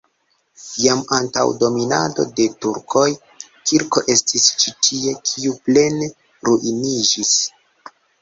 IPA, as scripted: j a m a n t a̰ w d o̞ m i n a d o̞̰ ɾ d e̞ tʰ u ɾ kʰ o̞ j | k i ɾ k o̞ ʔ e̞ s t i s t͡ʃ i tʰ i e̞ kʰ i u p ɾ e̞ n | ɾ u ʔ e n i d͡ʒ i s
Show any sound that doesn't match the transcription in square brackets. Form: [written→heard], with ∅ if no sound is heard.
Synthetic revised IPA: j a m a n t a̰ w d o̞ m i n a d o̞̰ [ɾ→∅] d e̞ [tʰ→t] u ɾ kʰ o̞ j | k i ɾ k o̞ ʔ e̞ s t i s t͡ʃ i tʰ i e̞ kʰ i u p [ɾ→l] e̞ n | ɾ u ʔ [e→i] n i d͡ʒ i s